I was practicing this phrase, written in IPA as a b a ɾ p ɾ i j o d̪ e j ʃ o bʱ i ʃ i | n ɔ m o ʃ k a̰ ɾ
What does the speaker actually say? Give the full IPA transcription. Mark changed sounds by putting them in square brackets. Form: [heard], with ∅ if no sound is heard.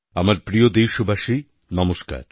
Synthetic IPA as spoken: a [m] a ɾ p ɾ i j o d̪ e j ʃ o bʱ [a] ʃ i | n ɔ m o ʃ k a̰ ɾ

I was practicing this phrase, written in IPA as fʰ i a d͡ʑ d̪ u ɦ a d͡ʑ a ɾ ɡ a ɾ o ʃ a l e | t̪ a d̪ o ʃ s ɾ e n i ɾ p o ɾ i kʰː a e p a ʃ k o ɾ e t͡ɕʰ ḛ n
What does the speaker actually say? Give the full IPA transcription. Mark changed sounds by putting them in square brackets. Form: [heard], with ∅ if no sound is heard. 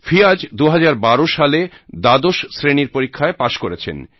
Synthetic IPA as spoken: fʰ i a d͡ʑ d̪ u ɦ a d͡ʑ a ɾ [b] a ɾ o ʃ a l e | [d̪] a d̪ o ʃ s ɾ e n i ɾ p o ɾ i kʰː a e p a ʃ k o ɾ e t͡ɕʰ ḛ n

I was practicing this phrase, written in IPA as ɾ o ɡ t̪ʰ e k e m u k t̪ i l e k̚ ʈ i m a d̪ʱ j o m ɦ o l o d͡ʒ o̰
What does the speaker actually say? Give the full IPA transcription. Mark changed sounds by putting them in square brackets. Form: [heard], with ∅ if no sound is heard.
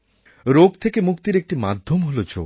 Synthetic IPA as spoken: ɾ o ɡ t̪ʰ e k e m u k t̪ i [ɾ] e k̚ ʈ i m a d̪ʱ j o m ɦ o l o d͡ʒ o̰

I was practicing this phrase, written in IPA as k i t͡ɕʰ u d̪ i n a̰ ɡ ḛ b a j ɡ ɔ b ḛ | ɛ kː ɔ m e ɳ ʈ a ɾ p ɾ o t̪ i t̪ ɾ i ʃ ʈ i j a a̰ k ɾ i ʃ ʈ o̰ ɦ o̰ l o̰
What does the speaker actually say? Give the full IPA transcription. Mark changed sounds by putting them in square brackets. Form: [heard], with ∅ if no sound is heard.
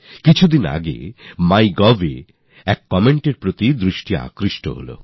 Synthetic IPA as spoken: k i t͡ɕʰ u d̪ i n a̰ ɡ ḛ [m] a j ɡ ɔ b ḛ | ɛ kː ɔ m e ɳ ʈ [e] ɾ p ɾ o t̪ i [d̪] ɾ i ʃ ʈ i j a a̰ k ɾ i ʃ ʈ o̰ ɦ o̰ l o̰

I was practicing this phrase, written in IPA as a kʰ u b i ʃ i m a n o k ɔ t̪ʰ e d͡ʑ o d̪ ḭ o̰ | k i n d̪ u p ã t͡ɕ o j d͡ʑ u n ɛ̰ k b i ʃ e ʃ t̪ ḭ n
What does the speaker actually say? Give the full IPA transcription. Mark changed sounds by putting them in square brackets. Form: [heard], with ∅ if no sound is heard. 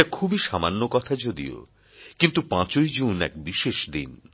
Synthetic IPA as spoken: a kʰ u b i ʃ [a] m a [nː] o k ɔ t̪ʰ [a] d͡ʑ o d̪ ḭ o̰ | k i n [t̪] u p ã t͡ɕ o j d͡ʑ u n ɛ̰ k b i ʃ e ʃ [d̪] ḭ n

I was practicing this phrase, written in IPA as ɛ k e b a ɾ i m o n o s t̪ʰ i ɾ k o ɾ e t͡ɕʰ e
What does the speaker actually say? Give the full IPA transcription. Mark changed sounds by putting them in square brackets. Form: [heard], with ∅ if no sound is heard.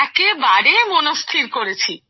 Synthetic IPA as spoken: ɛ k e b a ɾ [e] m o n o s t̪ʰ i ɾ k o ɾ e t͡ɕʰ [i]

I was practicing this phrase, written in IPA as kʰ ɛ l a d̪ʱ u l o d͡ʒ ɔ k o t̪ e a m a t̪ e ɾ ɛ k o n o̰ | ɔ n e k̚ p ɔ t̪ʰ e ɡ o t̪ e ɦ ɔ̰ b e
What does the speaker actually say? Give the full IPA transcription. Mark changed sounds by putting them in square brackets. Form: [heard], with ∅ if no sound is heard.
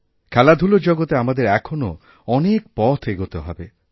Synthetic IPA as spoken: kʰ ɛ l a d̪ʱ u l o d͡ʒ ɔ [ɡ] o t̪ e a m a [d̪] e ɾ ɛ [kʰ] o n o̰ | ɔ n e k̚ p ɔ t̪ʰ e ɡ o t̪ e ɦ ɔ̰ b e

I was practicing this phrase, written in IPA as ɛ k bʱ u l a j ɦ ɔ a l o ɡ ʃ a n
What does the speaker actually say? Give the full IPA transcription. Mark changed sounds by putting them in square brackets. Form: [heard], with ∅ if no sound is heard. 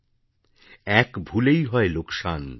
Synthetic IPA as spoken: ɛ k bʱ u l [e] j ɦ ɔ [e] l o [k] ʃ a n

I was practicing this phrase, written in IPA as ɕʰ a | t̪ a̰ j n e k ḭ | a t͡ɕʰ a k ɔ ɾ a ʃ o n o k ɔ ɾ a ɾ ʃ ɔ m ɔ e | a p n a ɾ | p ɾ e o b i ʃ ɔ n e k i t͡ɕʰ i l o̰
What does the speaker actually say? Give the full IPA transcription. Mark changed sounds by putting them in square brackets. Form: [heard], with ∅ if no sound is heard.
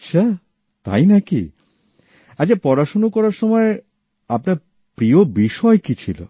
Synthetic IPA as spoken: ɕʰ a | t̪ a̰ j n [a] k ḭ | a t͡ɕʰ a [p] ɔ ɾ a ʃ o n o k ɔ ɾ a ɾ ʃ ɔ m ɔ e | a p n a ɾ | p ɾ [i] o b i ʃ ɔ [∅] e k i t͡ɕʰ i l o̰

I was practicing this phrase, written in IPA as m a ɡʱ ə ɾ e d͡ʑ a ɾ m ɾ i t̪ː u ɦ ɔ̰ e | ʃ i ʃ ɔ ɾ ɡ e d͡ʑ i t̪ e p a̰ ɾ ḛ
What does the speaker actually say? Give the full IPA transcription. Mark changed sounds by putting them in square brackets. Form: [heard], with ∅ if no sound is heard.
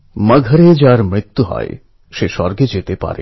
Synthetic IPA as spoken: m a ɡʱ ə ɾ e d͡ʑ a ɾ m ɾ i t̪ː u ɦ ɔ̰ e | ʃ [e] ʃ ɔ ɾ ɡ e d͡ʑ [e] t̪ e p a̰ ɾ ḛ

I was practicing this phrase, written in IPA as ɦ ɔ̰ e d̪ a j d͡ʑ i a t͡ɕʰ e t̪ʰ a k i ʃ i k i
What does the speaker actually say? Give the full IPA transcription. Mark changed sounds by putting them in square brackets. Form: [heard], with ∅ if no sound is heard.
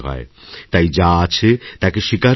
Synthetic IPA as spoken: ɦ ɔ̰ e [t̪] a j d͡ʑ [a] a t͡ɕʰ e [t̪] a k [e] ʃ i k [a]

